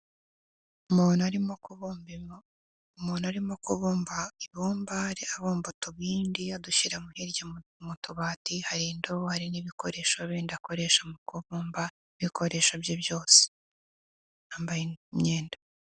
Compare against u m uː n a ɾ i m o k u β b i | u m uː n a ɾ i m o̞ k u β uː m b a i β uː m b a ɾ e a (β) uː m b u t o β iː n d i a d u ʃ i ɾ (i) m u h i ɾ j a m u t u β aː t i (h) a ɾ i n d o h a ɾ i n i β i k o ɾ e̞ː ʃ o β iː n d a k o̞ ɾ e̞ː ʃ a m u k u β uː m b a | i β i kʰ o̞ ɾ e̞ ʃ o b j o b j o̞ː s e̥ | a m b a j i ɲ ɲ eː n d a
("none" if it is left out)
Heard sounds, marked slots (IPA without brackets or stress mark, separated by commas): β, a, h